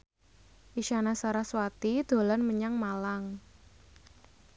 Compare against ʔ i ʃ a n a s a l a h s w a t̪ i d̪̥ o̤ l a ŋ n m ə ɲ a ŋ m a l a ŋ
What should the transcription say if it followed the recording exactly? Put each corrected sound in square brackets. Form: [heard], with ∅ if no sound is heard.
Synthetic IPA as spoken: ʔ i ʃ a n a s a [ɾ] a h s w a t̪ i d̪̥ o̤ l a [∅] n m ə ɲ a ŋ m a l a ŋ

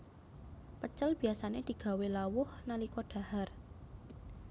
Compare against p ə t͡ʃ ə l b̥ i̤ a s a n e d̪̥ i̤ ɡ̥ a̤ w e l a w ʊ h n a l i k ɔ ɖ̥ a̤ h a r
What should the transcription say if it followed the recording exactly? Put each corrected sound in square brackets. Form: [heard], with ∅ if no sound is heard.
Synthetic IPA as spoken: p ə t͡ʃ ə l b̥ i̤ a s a n e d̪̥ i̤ ɡ̥ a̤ w e l a w ʊ h n a l i k ɔ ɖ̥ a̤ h a r

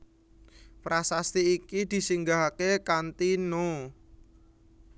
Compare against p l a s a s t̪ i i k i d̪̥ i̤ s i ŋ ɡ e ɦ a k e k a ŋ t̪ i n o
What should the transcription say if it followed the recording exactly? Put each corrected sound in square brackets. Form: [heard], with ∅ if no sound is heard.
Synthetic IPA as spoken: p [ɾ] a s a s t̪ i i k i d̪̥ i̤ s i ŋ ɡ [a] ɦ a k e k a [n] t̪ i n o

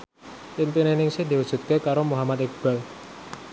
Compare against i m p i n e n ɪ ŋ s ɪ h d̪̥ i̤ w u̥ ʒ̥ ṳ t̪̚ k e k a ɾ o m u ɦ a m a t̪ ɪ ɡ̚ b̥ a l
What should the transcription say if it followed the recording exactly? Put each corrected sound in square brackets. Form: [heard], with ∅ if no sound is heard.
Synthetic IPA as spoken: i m p i n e n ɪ ŋ s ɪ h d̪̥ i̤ w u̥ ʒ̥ ṳ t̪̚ k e k a ɾ o m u ɦ a m a t̪ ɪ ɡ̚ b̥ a l

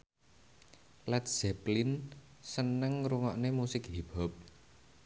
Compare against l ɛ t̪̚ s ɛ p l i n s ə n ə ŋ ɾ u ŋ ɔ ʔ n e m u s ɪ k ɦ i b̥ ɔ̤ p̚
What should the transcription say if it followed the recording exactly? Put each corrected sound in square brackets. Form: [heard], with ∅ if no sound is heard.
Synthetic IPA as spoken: l ɛ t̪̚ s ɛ p l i n s ə n ə ŋ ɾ u ŋ ɔ ʔ n e m u s ɪ k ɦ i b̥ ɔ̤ p̚

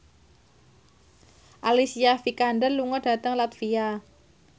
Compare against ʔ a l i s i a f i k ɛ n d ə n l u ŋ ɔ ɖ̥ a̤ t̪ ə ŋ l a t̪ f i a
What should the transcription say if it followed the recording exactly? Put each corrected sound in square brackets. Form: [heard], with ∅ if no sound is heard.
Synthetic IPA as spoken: ʔ a l i s i a f i k [a] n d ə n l u ŋ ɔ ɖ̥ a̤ t̪ ə ŋ l a t̪ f i a

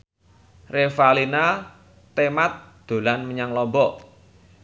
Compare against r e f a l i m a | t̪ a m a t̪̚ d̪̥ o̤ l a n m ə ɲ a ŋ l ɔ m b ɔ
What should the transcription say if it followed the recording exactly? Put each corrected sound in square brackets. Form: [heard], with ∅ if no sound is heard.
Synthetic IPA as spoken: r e f a l i [n] a | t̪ [e] m a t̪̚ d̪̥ o̤ l a n m ə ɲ a ŋ l ɔ m b ɔ

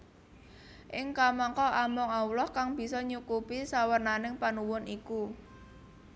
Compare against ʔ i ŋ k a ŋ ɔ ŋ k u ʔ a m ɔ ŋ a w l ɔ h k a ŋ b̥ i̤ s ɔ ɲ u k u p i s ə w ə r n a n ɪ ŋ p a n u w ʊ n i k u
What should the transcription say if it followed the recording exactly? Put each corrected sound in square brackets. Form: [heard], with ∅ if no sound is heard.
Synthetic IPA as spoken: ʔ [ɪ] ŋ k a [m] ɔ ŋ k [ɔ] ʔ a m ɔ ŋ a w l ɔ h k a ŋ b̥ i̤ s ɔ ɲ u k u p i s [a] w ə r n a n ɪ ŋ p a n u w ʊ n i k u

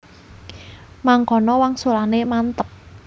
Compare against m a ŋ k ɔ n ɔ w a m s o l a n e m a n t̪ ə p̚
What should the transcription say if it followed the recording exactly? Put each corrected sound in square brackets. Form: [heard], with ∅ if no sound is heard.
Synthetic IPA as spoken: m a ŋ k ɔ n ɔ w a [ŋ] s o l a n e m a n t̪ ə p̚

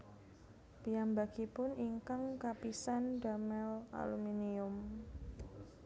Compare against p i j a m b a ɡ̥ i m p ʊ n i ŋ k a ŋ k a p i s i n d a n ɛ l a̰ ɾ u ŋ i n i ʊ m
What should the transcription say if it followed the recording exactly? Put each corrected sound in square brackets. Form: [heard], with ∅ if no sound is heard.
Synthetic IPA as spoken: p i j a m b a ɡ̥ i [∅] p ʊ n i ŋ k a ŋ k a p i s [a] n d a [m] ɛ l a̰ [l] u [m] i n i ʊ m

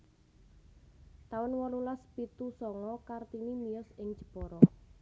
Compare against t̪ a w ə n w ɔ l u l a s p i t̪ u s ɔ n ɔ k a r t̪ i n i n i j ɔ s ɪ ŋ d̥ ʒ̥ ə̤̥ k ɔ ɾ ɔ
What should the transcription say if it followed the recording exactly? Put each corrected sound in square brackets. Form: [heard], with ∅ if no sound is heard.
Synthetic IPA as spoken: t̪ a w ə n w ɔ l u l a s p i t̪ u s ɔ [ŋ] ɔ k a r t̪ i n i [m] i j ɔ s ɪ ŋ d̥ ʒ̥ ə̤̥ [p] ɔ ɾ ɔ

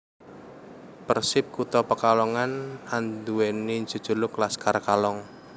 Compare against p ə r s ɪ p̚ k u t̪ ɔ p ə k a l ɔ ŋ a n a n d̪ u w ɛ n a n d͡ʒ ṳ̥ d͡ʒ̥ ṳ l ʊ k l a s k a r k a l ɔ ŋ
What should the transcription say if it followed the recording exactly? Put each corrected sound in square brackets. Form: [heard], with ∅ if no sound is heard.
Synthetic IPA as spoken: p ə r s ɪ p̚ k u t̪ ɔ p ə k a l ɔ ŋ a n a n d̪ u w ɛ n [i] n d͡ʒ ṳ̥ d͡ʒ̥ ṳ l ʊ k l a s k a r k a l ɔ ŋ

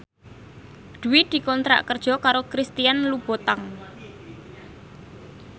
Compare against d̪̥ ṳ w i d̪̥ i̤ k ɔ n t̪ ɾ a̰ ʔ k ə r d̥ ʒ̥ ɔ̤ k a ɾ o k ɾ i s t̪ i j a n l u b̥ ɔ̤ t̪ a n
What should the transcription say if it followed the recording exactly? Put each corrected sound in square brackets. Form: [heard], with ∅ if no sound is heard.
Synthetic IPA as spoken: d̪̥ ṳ w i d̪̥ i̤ k ɔ n t̪ ɾ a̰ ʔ k ə r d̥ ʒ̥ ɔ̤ k a ɾ o k ɾ i s t̪ i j a n l u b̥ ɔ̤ t̪ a [ŋ]

